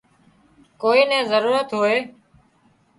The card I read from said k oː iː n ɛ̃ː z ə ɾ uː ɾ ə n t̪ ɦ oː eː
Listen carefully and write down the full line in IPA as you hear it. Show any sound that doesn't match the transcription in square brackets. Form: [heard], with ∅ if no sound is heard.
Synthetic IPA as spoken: k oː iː n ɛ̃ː z ə ɾ uː ɾ ə [∅] t̪ ɦ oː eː